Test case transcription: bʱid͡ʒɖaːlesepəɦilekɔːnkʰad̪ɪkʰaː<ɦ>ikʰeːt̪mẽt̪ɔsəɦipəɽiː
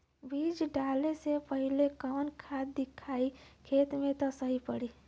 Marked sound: incorrect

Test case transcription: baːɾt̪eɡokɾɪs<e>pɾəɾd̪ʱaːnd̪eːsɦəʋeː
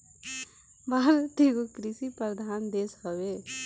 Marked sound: incorrect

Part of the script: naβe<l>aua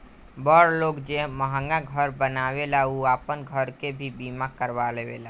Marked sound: correct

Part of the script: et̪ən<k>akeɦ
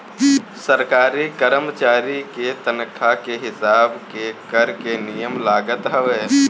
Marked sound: incorrect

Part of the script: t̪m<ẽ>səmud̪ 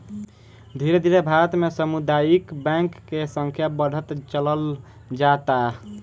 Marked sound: incorrect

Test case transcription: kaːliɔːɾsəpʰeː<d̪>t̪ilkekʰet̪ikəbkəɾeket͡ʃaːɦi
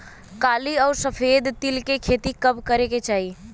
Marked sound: correct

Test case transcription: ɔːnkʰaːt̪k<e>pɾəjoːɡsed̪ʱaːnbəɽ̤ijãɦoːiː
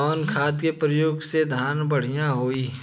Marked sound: correct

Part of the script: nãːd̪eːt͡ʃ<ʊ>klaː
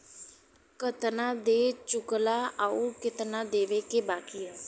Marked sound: correct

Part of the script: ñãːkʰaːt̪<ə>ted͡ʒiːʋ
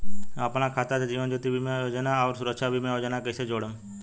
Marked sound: incorrect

